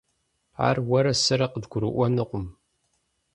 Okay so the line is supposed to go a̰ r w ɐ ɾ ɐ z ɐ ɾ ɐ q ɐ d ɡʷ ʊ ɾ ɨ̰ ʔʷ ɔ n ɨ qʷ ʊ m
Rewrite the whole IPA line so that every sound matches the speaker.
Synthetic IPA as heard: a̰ r w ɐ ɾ ɐ s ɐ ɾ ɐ q ə d ɡʷ ʊ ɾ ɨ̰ ʔʷ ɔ n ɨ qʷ ʊ m